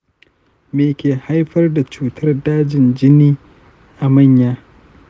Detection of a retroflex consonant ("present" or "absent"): absent